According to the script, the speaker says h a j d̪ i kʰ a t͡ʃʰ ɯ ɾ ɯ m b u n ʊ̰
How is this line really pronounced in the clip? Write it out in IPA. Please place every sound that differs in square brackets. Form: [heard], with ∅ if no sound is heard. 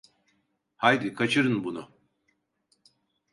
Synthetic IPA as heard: h a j d̪ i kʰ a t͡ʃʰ ɯ ɾ ɯ [n] b u n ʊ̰